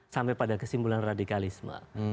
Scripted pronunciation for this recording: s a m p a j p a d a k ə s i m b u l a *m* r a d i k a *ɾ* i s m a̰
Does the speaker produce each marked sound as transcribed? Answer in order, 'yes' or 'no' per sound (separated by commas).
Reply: no, no